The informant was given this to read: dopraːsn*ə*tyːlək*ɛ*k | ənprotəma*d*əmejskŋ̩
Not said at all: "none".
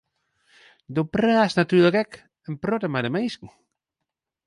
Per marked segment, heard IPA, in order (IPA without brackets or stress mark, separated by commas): a, ɛ, d